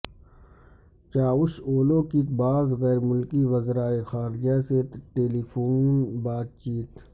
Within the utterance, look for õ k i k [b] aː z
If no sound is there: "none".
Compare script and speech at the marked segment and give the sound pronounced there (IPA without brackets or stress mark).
b